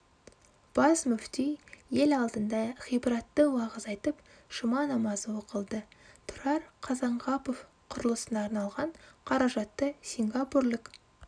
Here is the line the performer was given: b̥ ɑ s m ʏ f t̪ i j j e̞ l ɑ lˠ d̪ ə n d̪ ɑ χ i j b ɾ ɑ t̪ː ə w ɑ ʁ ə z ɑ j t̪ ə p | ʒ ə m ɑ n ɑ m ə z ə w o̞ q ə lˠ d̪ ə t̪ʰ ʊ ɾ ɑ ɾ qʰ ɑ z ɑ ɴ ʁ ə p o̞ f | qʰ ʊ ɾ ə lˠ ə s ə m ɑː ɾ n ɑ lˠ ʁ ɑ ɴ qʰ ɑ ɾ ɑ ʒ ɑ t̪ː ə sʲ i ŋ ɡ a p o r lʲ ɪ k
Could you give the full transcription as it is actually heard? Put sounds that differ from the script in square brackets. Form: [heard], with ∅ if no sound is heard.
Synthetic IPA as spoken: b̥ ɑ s m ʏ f t̪ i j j e̞ l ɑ lˠ d̪ ə n d̪ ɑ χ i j b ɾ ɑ t̪ː ə w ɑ ʁ ə z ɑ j t̪ ə p | [ʃ] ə m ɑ n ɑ m [ɑ] z ə w o̞ q ə lˠ d̪ ə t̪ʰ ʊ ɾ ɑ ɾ qʰ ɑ z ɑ ɴ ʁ [ɑ] p o̞ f | qʰ ʊ ɾ ə lˠ ə s ə [n] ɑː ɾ n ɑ lˠ ʁ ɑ ɴ qʰ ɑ ɾ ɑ ʒ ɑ t̪ː ə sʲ i ŋ ɡ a p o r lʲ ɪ k